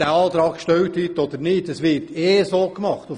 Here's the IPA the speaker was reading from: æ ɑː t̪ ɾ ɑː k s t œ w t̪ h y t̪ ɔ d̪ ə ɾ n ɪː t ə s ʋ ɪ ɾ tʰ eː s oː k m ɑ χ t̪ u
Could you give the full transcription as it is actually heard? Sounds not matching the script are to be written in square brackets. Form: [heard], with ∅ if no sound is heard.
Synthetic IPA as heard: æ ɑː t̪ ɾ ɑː k [ʃ] t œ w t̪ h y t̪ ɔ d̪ ə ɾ n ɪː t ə s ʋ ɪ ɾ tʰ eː s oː k m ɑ χ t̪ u

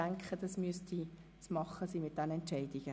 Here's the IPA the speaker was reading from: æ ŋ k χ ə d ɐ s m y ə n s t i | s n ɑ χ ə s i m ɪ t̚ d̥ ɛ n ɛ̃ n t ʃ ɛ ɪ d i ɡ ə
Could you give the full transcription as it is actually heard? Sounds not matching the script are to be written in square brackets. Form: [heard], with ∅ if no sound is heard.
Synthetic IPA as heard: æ ŋ k χ ə d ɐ s m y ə [∅] s t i | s [m] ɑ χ ə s i m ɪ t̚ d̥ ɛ n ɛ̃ n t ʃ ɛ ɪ d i ɡ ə

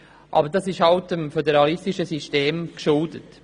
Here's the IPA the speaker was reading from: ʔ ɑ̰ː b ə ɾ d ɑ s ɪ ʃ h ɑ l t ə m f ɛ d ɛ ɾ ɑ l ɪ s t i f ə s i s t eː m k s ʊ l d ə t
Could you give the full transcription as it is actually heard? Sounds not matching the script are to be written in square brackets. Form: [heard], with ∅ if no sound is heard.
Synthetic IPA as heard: ʔ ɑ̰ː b ə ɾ d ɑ s ɪ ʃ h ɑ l t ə m f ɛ d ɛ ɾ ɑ l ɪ s t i [ʃ] ə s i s t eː m k [ʃ] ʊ l d ə t

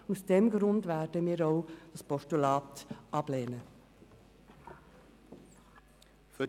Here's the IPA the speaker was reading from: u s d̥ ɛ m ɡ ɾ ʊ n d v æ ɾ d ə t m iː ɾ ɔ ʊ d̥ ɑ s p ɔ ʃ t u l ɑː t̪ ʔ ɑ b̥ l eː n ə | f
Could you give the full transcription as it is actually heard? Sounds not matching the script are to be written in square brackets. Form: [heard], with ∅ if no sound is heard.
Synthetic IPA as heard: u s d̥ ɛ m ɡ ɾ ʊ n d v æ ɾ d ə [∅] m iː ɾ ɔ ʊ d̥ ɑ s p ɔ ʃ t u l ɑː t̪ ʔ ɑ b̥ l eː n ə | f

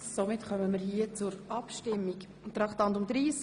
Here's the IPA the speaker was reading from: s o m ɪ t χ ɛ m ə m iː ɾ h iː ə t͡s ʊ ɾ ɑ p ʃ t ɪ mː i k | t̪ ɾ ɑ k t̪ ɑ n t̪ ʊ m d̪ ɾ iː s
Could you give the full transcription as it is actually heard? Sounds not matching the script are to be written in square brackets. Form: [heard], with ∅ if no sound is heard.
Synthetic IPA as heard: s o m ɪ t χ [œ] m ə m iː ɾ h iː ə t͡s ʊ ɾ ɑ p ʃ t ɪ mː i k | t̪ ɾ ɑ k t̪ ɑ n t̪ ʊ m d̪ ɾ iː s

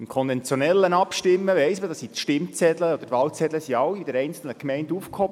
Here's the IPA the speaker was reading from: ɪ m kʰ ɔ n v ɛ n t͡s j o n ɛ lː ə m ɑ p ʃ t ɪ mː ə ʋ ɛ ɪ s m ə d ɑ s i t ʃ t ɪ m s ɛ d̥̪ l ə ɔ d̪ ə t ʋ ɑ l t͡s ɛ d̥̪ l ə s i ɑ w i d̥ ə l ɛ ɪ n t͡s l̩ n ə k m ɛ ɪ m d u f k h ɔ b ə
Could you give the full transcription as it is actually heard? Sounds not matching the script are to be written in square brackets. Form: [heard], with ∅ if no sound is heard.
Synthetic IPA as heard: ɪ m kʰ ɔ n v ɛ n t͡s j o n ɛ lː ə [n] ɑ p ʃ t ɪ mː ə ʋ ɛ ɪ s m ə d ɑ s i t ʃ t ɪ m [t͡s] ɛ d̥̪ l ə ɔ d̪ ə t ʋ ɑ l t͡s ɛ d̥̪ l ə s i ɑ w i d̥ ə [ɾ] ɛ ɪ n t͡s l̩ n ə k m ɛ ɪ [n] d u f k h ɔ b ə

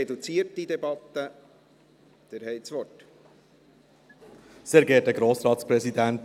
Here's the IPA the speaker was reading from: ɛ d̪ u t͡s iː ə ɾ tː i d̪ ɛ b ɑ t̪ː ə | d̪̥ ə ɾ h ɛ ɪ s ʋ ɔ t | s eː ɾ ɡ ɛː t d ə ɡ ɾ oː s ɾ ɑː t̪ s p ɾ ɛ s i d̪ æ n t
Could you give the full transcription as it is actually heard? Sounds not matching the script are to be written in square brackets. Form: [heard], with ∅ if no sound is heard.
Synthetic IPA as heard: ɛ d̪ u t͡s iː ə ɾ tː i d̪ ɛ b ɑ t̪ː ə | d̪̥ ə ɾ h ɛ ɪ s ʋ ɔ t | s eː ɾ ɡ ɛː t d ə ɡ ɾ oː s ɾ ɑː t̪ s p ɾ ɛ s i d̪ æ n t

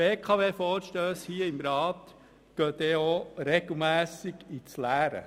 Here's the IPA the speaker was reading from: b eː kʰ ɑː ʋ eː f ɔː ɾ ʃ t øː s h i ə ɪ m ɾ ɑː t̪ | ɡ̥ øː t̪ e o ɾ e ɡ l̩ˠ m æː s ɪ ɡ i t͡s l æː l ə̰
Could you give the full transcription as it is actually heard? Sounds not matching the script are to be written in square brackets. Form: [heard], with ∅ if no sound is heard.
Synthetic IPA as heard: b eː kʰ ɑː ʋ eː f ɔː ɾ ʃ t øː s h i ə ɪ m ɾ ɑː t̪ | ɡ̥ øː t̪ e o ɾ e ɡ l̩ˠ m æː s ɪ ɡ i t͡s l æː [ɾ] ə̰

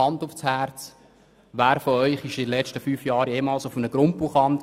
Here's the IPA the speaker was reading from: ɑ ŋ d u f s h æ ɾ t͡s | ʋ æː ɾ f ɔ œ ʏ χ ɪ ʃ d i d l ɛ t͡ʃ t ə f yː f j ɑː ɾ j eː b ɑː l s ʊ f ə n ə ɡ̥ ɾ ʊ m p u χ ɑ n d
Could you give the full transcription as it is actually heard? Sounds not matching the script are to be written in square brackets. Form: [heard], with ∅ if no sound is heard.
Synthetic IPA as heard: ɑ [n] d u f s h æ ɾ t͡s | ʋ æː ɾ f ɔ œ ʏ χ ɪ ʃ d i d l ɛ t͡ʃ t ə f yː f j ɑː ɾ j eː [m] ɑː l s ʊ f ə n ə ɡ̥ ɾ ʊ m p u χ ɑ n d

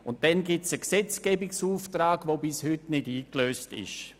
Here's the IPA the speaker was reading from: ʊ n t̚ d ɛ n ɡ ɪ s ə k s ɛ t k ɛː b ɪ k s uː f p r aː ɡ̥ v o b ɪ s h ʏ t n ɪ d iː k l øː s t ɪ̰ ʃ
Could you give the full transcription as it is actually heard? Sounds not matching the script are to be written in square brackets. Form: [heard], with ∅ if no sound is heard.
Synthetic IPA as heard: ʊ n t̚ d ɛ n ɡ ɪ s ə k s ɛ [t͡s] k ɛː b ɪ k s uː f [t] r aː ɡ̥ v o b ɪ s h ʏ t n ɪ d iː k l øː s t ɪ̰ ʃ

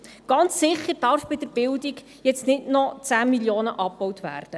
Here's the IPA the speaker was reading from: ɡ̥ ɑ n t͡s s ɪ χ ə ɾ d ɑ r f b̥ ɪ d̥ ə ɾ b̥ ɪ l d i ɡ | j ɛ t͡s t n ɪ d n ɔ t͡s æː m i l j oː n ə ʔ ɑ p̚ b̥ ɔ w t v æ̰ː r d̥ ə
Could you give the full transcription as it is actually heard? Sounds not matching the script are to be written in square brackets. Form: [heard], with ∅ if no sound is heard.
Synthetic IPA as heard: ɡ̥ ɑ n t͡s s ɪ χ ə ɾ d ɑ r f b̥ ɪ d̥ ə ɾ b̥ ɪ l d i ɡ | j ɛ t͡s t n ɪ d n ɔ t͡s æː m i l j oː n ə ʔ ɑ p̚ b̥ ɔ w t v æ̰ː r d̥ ə

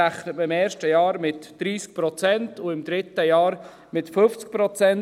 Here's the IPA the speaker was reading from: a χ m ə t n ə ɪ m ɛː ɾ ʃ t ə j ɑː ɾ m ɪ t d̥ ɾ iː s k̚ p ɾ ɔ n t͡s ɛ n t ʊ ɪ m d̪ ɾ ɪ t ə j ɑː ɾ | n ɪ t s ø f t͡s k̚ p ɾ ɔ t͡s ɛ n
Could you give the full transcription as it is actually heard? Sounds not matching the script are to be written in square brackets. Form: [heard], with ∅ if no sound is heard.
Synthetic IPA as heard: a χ [n] ə t [m] ə ɪ m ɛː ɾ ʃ t ə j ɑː ɾ m ɪ t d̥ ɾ iː s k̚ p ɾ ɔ [∅] t͡s ɛ n t ʊ ɪ m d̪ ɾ ɪ t ə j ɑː ɾ | [m] ɪ t [f] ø f t͡s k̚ p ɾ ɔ t͡s ɛ n

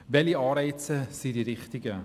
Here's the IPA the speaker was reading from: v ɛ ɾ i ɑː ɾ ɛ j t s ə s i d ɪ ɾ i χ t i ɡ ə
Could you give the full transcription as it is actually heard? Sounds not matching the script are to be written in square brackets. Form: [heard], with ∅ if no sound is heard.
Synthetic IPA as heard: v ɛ [l] i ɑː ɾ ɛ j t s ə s i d [i] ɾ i χ t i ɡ ə

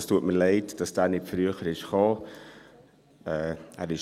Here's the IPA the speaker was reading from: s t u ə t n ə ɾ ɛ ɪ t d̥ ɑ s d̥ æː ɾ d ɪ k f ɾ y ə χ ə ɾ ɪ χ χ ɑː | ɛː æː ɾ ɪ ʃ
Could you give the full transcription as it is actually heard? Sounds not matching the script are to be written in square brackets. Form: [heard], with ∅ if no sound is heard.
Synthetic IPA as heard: s t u ə t [m] ə [l] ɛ ɪ t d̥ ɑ s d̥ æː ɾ [n] ɪ [t] f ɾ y ə χ ə ɾ ɪ [ʃ] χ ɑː | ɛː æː ɾ ɪ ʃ

